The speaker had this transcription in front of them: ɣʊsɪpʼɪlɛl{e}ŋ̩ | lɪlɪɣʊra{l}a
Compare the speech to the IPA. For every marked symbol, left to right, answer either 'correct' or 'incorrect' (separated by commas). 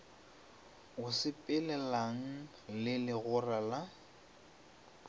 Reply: incorrect, correct